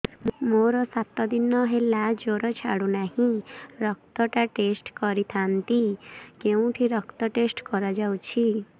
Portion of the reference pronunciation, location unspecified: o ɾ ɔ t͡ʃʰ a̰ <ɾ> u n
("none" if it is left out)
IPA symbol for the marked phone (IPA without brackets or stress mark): ɽ